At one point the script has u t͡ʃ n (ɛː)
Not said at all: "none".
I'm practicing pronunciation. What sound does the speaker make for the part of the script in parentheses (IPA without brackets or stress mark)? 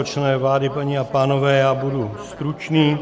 iː